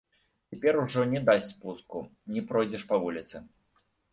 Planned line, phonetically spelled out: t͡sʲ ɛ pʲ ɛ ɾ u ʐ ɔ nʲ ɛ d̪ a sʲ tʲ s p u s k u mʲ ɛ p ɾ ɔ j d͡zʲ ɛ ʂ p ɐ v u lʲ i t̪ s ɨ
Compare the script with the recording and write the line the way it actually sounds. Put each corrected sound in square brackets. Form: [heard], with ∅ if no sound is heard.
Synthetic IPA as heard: t͡sʲ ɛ pʲ ɛ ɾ u ʐ ɔ nʲ ɛ d̪ a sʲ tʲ s p u s k u [nʲ] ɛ p ɾ ɔ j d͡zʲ ɛ ʂ p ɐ v u lʲ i t̪ s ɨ